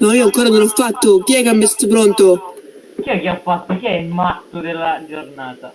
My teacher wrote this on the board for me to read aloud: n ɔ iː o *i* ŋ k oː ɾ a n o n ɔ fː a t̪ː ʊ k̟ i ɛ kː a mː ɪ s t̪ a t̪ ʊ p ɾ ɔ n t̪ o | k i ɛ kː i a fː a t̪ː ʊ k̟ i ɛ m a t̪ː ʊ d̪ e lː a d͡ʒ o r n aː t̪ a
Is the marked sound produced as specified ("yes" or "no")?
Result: no